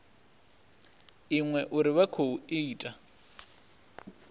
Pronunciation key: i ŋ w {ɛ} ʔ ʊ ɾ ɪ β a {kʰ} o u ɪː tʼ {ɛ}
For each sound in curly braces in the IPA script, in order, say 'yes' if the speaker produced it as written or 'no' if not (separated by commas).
yes, yes, no